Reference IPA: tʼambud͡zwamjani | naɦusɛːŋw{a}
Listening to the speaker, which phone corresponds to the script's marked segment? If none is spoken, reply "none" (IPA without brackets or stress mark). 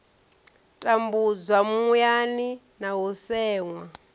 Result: a